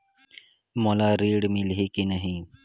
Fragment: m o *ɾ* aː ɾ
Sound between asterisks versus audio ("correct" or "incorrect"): incorrect